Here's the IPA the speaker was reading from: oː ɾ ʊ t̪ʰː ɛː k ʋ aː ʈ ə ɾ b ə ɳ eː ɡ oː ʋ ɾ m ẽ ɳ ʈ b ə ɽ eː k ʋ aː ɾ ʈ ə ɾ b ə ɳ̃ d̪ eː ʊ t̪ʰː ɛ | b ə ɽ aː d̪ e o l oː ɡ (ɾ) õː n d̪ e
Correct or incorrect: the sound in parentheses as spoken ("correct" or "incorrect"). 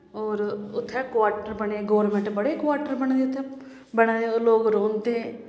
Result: correct